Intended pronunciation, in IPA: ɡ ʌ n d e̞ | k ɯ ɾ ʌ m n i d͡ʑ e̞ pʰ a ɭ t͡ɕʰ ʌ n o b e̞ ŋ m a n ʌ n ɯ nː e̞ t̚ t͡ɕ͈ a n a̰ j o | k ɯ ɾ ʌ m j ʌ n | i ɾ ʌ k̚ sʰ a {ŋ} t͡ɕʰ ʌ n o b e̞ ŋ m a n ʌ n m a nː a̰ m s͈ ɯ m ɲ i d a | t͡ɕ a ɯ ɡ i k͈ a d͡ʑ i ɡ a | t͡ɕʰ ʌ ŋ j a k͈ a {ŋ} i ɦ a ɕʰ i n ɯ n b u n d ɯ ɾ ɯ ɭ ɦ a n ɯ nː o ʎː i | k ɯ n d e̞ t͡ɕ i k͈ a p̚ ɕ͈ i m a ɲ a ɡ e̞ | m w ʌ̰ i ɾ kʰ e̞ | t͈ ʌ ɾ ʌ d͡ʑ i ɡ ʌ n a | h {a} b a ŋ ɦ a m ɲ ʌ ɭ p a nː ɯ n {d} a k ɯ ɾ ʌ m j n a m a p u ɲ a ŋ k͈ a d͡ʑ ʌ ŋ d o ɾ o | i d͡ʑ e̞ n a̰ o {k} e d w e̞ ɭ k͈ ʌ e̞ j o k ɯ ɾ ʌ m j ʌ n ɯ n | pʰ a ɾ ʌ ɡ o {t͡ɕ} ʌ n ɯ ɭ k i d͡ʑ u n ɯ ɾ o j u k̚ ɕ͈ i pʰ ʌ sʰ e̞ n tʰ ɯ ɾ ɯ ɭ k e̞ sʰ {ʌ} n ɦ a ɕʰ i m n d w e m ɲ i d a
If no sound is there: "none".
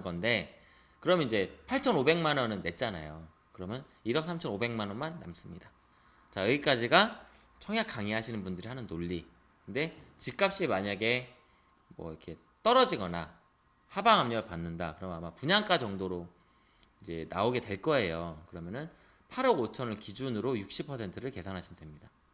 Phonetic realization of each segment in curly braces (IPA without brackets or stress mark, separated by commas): m, ŋ, a, d, ɡ, t͡ɕʰ, a